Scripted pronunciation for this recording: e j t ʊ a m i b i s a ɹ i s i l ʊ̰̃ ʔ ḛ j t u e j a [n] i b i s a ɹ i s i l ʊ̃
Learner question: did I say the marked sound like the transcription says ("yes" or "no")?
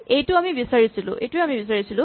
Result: no